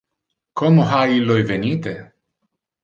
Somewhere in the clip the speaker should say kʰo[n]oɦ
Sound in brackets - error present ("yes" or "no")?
yes